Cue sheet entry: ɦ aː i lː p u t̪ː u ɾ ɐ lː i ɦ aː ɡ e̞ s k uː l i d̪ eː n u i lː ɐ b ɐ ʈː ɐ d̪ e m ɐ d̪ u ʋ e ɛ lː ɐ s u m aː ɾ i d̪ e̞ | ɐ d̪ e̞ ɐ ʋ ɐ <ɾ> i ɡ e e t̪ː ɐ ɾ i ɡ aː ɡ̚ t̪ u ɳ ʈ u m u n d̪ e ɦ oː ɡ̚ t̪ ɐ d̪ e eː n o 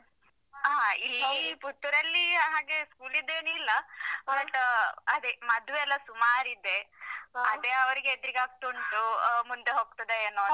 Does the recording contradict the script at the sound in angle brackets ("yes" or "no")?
no